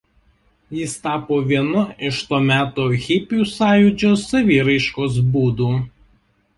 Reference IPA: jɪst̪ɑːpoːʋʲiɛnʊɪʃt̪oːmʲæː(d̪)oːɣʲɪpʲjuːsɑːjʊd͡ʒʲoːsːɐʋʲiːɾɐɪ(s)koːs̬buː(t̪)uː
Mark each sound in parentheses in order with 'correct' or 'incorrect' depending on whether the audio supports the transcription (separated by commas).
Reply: incorrect, incorrect, incorrect